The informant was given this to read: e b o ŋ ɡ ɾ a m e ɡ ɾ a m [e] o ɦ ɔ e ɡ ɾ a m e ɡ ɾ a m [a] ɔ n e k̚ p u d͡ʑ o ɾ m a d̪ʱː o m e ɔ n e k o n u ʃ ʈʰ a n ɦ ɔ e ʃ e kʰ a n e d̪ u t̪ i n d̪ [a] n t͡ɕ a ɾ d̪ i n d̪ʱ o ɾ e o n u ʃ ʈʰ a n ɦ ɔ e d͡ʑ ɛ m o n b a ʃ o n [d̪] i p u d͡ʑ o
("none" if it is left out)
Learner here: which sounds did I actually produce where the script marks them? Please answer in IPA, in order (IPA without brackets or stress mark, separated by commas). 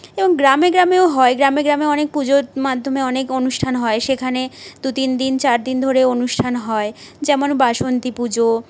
e, e, i, t̪